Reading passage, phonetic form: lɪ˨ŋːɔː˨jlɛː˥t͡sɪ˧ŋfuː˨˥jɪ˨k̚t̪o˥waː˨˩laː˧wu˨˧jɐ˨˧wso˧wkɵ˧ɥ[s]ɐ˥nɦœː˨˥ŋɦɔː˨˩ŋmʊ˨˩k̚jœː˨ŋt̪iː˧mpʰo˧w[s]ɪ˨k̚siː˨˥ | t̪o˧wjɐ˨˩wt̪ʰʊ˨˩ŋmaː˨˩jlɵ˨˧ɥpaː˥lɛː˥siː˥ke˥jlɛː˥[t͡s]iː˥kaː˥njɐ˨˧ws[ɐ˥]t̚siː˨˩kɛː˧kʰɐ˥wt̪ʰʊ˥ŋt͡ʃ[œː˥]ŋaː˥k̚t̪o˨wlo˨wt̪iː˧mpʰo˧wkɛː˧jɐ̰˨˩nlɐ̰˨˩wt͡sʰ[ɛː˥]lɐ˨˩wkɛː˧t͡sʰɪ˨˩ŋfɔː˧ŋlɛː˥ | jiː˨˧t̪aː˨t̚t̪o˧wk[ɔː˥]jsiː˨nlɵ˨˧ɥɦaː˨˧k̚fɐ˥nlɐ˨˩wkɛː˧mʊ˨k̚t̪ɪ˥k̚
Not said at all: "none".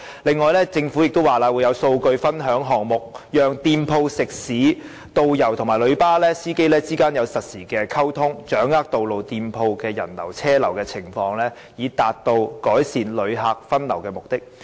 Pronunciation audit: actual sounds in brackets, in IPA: f, s, t͡s, ɐ˨, œː˨˥, ɛː˥, ɔː˨˥

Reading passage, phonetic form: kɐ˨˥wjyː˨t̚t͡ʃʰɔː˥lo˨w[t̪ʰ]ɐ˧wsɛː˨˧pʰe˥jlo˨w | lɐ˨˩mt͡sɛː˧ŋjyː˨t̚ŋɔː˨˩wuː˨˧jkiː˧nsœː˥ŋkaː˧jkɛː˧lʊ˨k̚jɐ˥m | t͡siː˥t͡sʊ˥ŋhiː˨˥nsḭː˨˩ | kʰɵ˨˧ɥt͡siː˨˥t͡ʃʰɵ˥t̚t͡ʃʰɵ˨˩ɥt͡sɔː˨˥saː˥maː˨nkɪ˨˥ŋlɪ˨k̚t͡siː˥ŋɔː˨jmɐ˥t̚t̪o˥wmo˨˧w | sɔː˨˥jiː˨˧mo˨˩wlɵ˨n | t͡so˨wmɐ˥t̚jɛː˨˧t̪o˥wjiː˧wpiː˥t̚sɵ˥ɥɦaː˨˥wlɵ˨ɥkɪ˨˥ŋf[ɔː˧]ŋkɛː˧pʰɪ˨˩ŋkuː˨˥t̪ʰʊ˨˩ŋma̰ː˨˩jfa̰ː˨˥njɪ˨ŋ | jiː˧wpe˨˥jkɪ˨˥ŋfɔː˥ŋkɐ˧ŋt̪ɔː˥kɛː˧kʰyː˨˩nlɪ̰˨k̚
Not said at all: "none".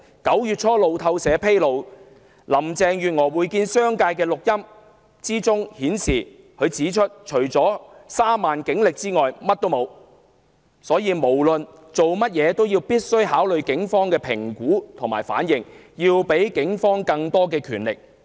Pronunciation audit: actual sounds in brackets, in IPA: t̪ʰ, ɔː˥

